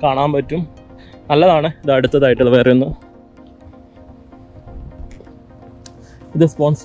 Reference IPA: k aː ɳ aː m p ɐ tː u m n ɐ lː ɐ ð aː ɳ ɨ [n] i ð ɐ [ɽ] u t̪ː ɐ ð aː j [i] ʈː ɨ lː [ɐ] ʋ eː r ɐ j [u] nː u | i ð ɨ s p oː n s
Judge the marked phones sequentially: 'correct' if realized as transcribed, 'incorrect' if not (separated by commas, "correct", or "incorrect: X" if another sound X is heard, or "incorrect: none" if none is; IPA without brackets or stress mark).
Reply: incorrect: none, correct, correct, correct, correct